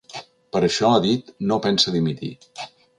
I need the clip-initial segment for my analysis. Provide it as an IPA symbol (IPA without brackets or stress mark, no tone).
p